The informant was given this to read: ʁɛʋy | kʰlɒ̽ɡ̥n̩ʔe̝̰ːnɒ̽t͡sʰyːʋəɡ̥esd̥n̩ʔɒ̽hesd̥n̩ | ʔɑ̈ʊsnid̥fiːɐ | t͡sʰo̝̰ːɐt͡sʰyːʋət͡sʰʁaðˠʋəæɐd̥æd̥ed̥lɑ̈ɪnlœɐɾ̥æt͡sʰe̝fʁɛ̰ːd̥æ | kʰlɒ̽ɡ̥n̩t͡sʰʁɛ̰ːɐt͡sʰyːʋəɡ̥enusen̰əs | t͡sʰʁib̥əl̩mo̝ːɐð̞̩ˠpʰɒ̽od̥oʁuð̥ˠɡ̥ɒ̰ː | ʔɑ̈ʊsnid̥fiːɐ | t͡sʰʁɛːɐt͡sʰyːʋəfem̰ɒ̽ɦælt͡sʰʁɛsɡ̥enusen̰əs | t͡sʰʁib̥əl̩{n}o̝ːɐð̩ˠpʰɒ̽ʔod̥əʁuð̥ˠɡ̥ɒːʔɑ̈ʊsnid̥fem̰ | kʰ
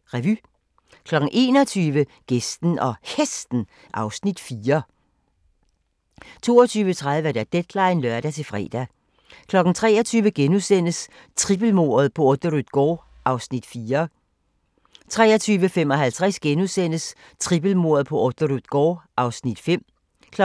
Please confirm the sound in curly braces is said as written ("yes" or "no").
no